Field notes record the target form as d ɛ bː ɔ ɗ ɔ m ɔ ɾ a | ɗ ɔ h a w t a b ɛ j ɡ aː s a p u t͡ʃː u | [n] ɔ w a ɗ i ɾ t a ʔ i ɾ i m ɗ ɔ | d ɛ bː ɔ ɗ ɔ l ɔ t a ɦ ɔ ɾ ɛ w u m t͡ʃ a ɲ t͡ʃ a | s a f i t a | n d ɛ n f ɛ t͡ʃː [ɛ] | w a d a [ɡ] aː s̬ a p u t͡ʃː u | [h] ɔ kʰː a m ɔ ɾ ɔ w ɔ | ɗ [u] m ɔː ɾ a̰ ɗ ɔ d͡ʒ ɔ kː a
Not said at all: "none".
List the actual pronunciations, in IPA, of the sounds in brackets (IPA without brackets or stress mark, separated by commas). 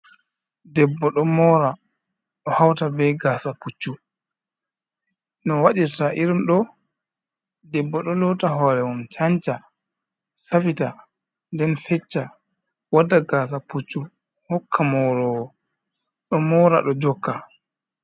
n, a, ɡ, h, ɔ